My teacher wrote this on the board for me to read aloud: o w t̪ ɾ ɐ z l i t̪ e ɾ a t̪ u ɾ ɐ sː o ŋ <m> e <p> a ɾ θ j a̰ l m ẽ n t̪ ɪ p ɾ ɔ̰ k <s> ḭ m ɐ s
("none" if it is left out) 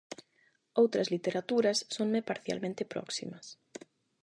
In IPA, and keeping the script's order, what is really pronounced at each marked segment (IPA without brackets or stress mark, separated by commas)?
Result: m, p, s